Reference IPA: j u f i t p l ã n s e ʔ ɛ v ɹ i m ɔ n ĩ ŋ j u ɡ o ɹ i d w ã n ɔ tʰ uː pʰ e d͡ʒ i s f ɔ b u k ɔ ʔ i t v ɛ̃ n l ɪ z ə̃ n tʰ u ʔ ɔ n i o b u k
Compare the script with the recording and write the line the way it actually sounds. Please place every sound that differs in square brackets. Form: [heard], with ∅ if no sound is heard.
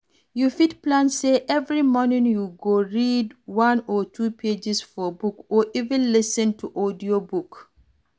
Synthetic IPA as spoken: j u f i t p l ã n s e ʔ ɛ v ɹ i m ɔ n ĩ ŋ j u ɡ o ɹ i d w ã n ɔ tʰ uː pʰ e d͡ʒ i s f ɔ b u k ɔ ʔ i [∅] v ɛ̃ n l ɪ [s] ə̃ n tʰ u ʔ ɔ [d] i o b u k